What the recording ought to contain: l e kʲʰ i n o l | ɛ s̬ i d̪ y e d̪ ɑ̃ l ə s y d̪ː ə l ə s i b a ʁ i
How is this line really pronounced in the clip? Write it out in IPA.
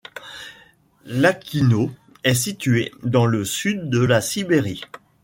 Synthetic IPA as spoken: l a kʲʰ i n o | ɛ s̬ i t̪ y e d̪ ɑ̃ l ə s y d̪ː ə l a s i b e ʁ i